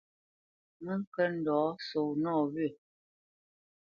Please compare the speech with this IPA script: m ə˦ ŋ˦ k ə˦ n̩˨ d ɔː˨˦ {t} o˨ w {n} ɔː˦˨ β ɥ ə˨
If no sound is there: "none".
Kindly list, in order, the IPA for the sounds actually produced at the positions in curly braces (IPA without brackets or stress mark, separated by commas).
s, n